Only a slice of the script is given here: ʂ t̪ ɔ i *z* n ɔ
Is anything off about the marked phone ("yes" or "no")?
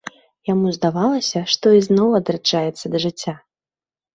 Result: no